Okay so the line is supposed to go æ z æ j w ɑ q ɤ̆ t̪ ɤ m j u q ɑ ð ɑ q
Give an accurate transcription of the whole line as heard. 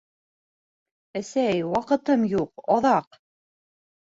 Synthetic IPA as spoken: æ s æ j w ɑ q ɤ̆ t̪ ɤ m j u q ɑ ð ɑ q